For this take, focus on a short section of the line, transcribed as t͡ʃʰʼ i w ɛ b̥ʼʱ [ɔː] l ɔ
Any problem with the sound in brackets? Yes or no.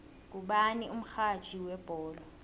no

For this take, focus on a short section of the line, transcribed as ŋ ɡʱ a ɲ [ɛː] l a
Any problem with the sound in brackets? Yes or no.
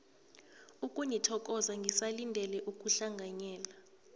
no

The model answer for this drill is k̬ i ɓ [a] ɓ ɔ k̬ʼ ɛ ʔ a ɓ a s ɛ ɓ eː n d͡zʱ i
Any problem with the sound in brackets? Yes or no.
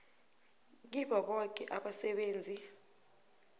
no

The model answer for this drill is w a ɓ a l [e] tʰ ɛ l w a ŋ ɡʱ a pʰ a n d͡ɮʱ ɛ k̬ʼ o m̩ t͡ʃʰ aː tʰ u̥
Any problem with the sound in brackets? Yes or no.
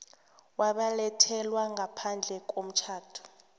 yes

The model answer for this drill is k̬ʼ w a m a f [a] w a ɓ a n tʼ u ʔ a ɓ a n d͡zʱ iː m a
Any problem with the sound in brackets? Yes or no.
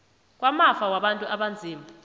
no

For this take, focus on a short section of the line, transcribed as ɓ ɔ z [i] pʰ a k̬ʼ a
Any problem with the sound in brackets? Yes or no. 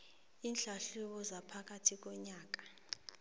yes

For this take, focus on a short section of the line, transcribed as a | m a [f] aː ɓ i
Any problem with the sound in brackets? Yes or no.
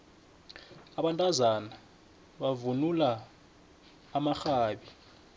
yes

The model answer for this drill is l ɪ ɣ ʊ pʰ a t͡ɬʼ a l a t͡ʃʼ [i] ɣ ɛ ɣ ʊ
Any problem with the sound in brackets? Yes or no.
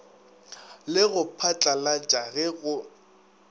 yes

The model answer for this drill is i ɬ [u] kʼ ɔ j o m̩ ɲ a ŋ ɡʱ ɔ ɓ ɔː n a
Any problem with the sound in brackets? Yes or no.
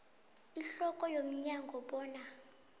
yes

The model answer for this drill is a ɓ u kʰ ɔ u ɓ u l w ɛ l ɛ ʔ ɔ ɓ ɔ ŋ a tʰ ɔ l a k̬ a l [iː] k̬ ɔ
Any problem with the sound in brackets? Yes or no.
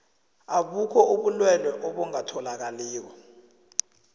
no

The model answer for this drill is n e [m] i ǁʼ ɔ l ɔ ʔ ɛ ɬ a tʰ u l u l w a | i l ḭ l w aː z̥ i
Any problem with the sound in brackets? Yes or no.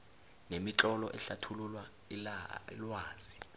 no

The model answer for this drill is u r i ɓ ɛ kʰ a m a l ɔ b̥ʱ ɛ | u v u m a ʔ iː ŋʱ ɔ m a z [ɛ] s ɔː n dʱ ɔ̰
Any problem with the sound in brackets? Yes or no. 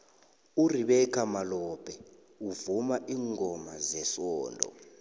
no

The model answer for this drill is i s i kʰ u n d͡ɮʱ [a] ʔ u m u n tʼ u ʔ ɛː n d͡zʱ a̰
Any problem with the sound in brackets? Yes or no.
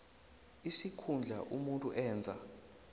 no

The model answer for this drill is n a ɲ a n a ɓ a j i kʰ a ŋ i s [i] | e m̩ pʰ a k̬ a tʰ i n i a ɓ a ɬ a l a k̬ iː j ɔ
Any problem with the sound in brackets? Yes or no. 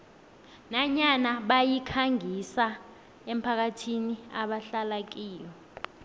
yes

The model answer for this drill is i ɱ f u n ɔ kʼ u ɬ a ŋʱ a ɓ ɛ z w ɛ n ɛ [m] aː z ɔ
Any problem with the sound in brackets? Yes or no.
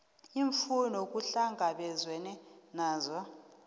yes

